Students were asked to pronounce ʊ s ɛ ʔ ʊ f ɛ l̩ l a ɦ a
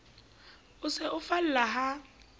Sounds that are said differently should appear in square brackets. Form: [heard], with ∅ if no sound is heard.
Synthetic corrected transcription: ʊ s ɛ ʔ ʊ f [a] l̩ l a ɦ a